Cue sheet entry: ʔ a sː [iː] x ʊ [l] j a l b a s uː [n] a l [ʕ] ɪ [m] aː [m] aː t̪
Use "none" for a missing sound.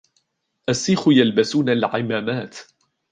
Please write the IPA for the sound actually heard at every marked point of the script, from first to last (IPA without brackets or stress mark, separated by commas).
iː, none, n, ʕ, m, m